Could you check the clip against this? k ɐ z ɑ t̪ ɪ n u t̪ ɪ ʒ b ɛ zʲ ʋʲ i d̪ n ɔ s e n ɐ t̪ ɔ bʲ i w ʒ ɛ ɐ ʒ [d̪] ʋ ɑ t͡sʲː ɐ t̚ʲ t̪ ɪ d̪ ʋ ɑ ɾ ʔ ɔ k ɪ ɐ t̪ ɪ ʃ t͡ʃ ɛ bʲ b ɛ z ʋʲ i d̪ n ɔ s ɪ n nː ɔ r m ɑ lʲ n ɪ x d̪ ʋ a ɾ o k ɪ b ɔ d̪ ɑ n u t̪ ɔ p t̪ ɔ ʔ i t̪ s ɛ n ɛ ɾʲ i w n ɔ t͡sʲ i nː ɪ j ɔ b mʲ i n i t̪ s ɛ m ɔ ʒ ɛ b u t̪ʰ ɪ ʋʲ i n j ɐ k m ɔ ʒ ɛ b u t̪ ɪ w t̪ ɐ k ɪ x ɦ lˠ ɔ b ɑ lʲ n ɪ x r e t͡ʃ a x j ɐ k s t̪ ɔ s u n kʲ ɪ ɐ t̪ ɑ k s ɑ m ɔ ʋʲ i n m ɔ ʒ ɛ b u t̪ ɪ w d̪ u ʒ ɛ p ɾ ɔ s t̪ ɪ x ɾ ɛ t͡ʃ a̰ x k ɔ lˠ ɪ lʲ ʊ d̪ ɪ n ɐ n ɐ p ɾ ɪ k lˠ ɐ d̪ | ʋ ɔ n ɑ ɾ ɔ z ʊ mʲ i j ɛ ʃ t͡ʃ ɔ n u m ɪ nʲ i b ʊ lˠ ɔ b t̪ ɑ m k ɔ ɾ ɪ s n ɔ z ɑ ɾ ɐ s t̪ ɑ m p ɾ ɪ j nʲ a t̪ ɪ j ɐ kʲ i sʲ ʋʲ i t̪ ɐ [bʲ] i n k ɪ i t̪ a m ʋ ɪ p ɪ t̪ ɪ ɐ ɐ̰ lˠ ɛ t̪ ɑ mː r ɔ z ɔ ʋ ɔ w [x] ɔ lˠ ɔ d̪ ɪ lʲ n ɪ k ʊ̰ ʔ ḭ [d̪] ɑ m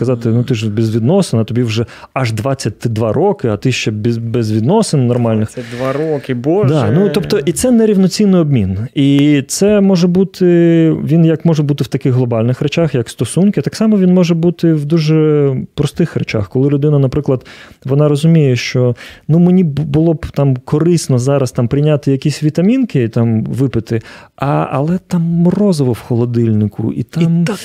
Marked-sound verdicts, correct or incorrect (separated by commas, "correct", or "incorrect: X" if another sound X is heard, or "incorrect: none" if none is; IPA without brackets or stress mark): correct, incorrect: mʲ, correct, incorrect: t̪